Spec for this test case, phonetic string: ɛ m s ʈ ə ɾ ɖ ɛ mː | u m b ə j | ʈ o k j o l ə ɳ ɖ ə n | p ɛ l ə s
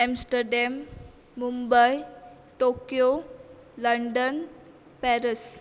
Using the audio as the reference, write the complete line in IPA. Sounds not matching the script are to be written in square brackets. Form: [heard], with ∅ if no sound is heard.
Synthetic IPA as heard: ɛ m s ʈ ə ɾ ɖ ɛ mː | u m b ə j | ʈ o k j o l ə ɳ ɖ ə n | p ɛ [ɾ] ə s